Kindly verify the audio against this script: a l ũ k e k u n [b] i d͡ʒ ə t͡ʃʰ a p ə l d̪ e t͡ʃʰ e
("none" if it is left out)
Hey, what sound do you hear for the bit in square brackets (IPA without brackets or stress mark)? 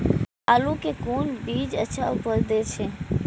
b